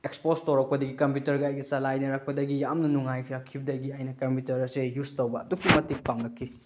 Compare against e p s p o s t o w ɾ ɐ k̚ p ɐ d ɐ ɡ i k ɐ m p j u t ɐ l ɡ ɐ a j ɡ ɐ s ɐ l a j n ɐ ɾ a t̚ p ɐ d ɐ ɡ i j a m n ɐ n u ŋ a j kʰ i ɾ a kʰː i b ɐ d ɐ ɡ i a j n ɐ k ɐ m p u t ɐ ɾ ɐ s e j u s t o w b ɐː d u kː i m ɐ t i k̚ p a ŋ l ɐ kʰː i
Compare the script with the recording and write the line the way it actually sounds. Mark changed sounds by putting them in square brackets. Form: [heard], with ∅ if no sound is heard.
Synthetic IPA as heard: e [k] s p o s t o w ɾ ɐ k̚ p ɐ d ɐ ɡ i k ɐ m p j u t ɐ [ɾ] ɡ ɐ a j ɡ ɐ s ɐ l a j n ɐ ɾ a [k̚] p ɐ d ɐ ɡ i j a m n ɐ n u ŋ a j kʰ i ɾ a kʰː i b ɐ d ɐ ɡ i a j n ɐ k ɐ m p u t ɐ ɾ ɐ s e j u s t o w b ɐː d u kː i m ɐ t i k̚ p a ŋ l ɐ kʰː i